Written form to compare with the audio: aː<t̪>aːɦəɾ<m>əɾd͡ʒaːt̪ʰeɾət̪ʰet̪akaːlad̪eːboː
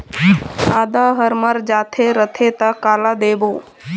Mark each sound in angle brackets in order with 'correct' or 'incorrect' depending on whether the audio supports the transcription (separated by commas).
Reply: incorrect, correct